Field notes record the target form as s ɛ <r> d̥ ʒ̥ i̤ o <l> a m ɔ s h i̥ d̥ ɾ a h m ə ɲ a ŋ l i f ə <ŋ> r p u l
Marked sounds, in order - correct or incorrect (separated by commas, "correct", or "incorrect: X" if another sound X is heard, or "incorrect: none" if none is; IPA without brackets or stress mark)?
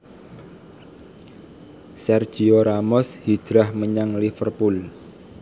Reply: correct, incorrect: ɾ, incorrect: none